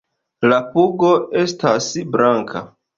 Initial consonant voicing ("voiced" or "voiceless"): voiced